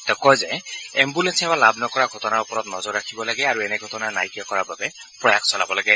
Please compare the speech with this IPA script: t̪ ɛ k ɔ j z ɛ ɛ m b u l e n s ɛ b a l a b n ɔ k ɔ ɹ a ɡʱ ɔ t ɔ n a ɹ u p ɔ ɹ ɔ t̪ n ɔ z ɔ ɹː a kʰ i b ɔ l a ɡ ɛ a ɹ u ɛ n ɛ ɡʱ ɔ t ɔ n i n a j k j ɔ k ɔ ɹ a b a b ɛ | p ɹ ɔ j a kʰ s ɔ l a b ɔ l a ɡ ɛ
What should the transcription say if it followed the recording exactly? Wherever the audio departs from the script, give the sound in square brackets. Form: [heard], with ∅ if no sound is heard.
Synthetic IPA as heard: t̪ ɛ k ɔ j z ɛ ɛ m b u l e n s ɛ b a l a b n ɔ k ɔ ɹ a ɡʱ ɔ t ɔ n a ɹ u p ɔ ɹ ɔ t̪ n ɔ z ɔ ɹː a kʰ i b ɔ l a ɡ ɛ a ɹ u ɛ n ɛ ɡʱ ɔ t ɔ n [a] n a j k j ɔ k ɔ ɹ a b a b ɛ | p ɹ ɔ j a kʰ s ɔ l a b ɔ l a ɡ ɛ